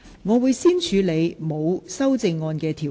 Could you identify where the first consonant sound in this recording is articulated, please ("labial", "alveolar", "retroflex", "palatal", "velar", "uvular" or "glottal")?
velar